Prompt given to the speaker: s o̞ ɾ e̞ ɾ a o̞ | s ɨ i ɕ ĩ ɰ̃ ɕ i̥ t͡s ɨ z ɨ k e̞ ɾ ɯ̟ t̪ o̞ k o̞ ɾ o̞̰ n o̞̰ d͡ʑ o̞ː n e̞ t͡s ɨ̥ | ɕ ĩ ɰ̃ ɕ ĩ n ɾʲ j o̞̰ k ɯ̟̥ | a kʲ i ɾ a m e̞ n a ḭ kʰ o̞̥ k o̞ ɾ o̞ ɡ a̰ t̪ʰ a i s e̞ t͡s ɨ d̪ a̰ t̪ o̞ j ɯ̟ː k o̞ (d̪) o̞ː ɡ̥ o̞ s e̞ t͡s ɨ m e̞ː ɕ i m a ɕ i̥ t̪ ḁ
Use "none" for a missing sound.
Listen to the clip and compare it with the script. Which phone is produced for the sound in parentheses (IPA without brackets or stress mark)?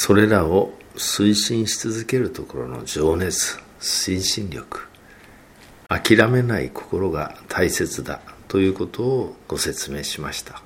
t̪